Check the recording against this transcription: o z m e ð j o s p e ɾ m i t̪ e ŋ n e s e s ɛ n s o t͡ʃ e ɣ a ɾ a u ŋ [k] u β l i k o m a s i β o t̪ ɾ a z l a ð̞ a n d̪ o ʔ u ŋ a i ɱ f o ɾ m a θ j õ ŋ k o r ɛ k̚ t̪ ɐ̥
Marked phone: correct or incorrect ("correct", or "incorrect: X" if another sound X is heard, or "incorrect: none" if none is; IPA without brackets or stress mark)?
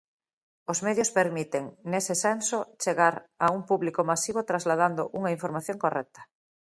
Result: incorrect: p